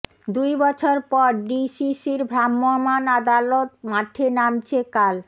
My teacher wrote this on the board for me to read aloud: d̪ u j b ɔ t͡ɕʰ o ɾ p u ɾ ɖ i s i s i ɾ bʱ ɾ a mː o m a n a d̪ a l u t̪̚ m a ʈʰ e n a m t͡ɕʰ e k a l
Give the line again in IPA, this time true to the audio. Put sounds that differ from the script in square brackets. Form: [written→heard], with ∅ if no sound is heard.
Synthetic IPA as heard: d̪ u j b ɔ t͡ɕʰ o ɾ p [u→ɔ] ɾ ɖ i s i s i ɾ bʱ ɾ a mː o m a n a d̪ a l [u→o] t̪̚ m a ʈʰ e n a m t͡ɕʰ e k a l